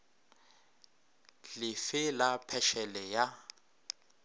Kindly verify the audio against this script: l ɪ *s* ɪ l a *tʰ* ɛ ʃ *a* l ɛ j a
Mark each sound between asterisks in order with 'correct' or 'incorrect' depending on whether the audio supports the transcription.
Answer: incorrect: f, incorrect: pʰ, incorrect: ɛ

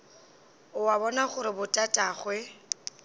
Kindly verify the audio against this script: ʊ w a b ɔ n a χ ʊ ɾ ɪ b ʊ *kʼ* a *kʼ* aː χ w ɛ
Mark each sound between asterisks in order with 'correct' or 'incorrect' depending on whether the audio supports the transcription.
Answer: incorrect: tʼ, incorrect: tʼ

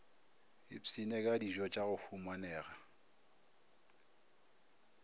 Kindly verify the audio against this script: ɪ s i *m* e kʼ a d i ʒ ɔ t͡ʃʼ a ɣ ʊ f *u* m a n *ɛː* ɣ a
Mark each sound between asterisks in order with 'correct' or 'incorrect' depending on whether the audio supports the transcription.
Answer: incorrect: n, correct, correct

